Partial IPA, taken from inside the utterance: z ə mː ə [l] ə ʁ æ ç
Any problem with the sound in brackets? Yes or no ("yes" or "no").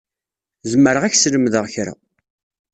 yes